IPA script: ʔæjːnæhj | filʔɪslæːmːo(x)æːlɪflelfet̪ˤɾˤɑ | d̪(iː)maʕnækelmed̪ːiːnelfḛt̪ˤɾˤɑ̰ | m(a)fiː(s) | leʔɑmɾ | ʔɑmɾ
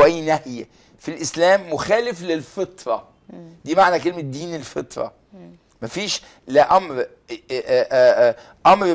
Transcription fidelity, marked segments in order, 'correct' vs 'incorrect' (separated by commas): correct, correct, incorrect, incorrect